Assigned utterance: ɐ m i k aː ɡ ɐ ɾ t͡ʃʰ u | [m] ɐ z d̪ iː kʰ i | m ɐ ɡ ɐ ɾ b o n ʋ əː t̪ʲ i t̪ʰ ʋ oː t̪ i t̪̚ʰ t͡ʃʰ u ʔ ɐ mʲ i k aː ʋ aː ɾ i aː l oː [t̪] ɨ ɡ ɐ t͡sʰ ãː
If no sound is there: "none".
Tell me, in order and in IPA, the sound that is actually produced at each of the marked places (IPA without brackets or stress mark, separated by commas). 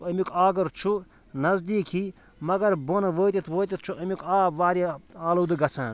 n, d̪